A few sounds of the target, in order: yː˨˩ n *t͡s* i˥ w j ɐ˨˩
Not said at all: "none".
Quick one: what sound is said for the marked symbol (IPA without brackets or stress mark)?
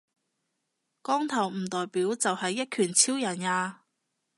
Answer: t͡sʰ